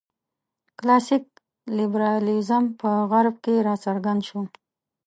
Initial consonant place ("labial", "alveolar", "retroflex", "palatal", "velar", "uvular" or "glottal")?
velar